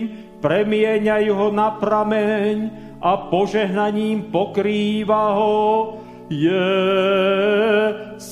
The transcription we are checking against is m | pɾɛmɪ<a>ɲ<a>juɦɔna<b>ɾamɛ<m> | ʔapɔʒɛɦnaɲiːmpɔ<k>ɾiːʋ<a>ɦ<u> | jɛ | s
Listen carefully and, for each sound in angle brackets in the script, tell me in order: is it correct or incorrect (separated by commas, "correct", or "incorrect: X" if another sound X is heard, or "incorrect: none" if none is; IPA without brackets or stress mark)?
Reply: incorrect: ɛ, correct, incorrect: p, incorrect: ɲ, correct, correct, incorrect: ɔ